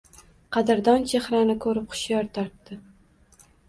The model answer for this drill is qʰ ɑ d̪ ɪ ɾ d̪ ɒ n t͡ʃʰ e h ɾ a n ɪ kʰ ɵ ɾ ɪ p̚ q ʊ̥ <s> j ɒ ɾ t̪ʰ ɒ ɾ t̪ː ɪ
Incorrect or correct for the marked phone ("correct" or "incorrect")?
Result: incorrect